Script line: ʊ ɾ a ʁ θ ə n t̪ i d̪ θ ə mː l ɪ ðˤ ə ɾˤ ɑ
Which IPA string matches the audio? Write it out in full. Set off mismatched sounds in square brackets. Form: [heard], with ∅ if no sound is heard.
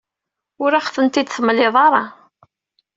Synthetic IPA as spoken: ʊ ɾ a [χ] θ ə n t̪ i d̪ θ ə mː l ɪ ðˤ [ɑ] ɾˤ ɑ